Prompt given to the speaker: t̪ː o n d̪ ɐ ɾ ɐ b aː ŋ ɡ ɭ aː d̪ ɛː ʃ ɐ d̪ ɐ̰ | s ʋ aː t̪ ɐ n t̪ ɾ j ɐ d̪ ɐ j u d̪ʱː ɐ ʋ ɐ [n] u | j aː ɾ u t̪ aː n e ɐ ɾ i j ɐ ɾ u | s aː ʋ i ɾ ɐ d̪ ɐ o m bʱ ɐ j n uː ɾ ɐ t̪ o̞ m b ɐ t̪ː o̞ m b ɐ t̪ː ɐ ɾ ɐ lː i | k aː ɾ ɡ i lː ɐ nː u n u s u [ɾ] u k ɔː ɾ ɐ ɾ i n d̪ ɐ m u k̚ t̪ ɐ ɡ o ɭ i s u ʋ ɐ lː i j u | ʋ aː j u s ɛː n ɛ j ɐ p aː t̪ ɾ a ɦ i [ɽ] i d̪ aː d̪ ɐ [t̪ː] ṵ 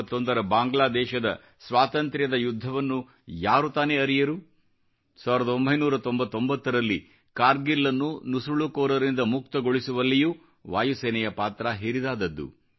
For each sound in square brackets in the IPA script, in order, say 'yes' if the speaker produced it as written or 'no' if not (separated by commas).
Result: no, no, no, no